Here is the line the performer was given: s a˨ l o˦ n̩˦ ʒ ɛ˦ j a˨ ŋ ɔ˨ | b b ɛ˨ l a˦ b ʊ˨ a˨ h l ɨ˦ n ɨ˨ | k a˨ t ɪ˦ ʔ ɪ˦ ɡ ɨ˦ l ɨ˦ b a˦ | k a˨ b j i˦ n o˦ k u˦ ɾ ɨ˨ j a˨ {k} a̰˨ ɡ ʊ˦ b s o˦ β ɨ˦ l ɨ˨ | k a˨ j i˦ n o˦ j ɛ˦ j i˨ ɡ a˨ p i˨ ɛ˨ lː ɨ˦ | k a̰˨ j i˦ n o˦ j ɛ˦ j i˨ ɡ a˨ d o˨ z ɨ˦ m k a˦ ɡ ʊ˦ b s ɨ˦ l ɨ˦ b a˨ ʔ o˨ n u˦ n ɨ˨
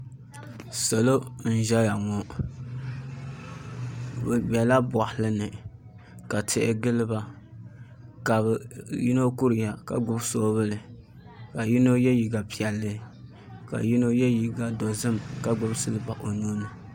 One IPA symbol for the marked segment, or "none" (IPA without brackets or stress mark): k